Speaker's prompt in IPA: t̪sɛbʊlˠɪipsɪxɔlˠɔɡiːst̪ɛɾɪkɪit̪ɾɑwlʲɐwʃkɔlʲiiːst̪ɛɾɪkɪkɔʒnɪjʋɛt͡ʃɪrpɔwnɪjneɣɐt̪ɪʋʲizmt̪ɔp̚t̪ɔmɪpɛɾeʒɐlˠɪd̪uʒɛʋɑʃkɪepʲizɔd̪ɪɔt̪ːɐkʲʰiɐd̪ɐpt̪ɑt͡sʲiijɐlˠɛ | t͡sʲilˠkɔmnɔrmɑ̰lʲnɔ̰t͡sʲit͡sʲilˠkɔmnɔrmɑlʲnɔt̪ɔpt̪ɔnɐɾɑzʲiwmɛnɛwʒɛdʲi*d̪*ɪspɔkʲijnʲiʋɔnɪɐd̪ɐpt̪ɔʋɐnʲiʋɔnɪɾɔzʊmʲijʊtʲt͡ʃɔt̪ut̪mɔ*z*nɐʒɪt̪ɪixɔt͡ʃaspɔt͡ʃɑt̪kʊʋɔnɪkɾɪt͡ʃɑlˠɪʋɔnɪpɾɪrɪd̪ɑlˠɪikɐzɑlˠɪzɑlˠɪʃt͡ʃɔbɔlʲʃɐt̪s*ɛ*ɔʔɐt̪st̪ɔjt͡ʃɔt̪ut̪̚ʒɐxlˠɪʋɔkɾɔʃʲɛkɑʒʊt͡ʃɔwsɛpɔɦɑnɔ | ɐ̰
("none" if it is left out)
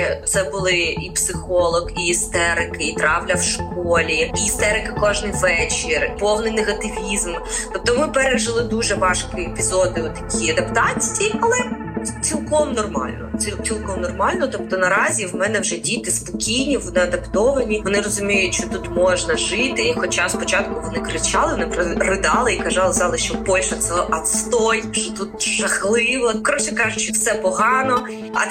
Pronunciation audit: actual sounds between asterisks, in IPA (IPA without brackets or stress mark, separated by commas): t̪, ʒ, ɛ